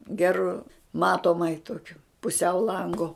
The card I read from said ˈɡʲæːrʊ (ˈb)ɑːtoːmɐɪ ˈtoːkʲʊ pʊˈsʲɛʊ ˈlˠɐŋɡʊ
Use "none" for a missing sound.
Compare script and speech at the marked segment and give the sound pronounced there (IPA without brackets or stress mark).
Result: m